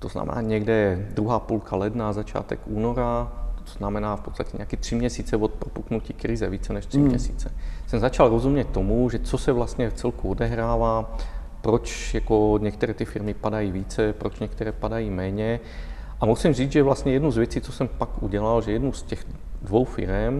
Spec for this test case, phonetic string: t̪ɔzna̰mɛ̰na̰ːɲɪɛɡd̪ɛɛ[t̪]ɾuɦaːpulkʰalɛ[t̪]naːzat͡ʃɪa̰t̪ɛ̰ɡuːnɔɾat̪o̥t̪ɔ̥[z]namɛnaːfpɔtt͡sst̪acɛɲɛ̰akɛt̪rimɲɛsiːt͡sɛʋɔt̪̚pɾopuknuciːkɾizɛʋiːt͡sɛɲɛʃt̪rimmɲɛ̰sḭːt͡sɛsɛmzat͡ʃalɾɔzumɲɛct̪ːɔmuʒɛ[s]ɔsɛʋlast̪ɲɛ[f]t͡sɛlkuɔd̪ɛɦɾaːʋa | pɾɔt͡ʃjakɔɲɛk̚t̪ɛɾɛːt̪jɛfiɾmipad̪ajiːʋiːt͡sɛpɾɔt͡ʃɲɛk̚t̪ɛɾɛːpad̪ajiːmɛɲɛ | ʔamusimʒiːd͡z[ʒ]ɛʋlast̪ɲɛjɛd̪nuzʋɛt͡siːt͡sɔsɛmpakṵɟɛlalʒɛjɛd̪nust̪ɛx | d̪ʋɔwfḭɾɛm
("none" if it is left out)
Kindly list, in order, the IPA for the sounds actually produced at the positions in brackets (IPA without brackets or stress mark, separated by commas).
d̪, d̪, z, t͡s, f, ʒ